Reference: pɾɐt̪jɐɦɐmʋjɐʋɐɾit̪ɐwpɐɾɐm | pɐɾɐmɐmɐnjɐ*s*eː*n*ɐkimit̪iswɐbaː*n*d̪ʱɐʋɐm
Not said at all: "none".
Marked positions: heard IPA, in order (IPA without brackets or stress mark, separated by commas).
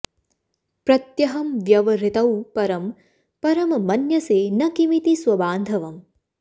s, n, n